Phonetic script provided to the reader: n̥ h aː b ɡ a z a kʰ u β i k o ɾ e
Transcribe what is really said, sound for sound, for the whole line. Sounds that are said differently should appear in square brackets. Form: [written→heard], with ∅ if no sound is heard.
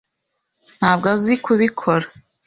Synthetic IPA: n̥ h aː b ɡ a z [a→i] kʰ u β i [k→kʰ] o ɾ [e→a]